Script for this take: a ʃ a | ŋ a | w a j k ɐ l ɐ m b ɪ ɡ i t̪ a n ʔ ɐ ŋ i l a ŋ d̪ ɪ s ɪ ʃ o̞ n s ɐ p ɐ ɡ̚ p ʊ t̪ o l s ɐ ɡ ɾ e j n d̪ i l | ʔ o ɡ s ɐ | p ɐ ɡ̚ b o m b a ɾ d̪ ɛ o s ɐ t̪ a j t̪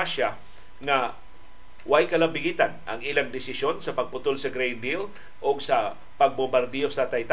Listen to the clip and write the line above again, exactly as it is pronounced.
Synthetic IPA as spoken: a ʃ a | ŋ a | w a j k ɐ l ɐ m b ɪ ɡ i t̪ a n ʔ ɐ ŋ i l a ŋ d̪ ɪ s ɪ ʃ o̞ n s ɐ p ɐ ɡ̚ p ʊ t̪ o l s ɐ ɡ ɾ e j n d̪ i l | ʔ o ɡ s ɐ | p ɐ ɡ̚ b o m b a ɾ d̪ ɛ o s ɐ t̪ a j t̪